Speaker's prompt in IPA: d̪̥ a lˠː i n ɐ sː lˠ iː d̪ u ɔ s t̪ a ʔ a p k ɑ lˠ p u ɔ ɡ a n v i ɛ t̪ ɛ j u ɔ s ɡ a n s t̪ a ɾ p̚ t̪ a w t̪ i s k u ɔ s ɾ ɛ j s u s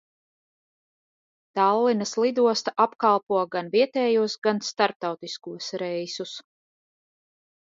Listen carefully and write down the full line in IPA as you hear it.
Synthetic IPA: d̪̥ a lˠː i n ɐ s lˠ i d̪ u ɔ s t̪ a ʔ a p k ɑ lˠ p u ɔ ɡ a n v i ɛ t̪ ɛː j u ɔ s ɡ a n s t̪ a ɾ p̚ t̪ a w t̪ i s k u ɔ s ɾ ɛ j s u s